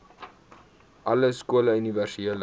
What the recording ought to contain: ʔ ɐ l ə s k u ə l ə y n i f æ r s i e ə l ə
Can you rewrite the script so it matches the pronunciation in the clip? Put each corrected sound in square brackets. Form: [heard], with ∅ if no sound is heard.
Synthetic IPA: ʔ ɐ l ə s k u ə l ə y n i [v] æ r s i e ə l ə